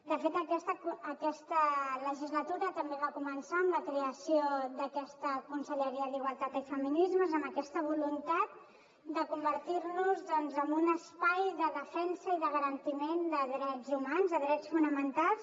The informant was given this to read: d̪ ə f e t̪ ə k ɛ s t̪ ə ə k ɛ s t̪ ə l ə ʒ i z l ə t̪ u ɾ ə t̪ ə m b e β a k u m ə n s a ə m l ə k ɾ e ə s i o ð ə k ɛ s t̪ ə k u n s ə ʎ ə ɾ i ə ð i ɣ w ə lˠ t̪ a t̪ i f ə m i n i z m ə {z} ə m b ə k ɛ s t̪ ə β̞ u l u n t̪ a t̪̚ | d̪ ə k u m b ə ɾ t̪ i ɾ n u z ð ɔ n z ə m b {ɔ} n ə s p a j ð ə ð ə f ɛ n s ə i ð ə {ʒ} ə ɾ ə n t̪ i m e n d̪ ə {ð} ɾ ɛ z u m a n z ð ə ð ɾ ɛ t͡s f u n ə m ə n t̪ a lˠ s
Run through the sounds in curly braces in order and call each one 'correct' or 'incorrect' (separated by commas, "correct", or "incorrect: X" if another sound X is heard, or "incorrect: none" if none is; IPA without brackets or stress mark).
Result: correct, incorrect: u, incorrect: ɣ, correct